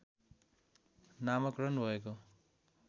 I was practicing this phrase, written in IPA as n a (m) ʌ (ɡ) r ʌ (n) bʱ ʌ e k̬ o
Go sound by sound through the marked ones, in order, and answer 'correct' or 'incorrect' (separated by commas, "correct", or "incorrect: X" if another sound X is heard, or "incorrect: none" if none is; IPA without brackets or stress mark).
correct, incorrect: k, correct